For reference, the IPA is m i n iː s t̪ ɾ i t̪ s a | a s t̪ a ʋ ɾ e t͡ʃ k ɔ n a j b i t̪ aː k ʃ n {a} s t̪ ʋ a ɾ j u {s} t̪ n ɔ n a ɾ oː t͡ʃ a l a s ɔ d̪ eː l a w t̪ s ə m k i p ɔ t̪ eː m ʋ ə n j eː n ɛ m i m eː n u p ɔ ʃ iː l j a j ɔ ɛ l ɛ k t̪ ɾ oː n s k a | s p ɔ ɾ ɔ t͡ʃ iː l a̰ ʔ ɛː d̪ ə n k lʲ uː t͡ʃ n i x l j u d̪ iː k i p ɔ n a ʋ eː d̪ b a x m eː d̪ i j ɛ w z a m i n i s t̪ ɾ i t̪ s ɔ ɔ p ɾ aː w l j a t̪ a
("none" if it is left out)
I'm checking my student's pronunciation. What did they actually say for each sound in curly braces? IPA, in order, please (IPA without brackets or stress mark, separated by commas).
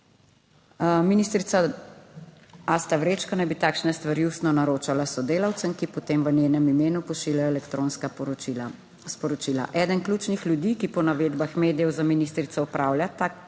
ɛ, s